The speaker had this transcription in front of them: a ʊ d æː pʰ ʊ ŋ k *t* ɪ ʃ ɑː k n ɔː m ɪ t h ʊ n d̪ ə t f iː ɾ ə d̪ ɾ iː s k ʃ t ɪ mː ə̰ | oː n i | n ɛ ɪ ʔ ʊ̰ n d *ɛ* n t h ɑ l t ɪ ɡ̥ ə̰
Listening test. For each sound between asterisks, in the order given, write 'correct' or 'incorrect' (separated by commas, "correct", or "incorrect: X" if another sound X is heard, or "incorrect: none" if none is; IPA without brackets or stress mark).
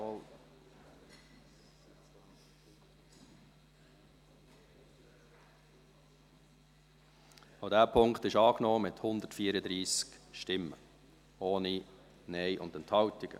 correct, correct